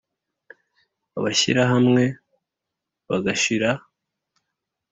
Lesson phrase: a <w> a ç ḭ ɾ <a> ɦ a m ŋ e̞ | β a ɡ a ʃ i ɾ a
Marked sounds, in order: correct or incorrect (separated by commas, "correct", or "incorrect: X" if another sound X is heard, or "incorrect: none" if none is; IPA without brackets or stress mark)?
incorrect: β, correct